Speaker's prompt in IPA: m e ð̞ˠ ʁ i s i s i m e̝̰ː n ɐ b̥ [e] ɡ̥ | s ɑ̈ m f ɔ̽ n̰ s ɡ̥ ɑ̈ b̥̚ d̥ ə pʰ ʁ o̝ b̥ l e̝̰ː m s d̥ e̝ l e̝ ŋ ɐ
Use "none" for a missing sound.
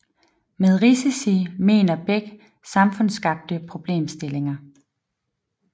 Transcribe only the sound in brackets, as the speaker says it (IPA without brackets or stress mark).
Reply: e